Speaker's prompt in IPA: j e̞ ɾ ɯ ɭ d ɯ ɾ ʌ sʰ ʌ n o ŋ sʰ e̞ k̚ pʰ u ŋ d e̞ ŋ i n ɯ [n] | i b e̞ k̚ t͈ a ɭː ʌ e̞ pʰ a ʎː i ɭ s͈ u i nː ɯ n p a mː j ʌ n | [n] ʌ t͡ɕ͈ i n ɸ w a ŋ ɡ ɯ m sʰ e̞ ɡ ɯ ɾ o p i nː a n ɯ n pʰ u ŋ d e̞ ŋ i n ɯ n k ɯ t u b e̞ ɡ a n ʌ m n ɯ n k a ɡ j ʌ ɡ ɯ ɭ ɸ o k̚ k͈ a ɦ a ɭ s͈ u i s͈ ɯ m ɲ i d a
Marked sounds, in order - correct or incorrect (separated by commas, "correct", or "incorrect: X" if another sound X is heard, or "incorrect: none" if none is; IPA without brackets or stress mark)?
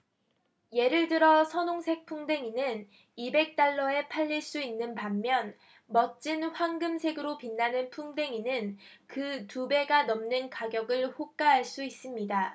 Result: correct, incorrect: m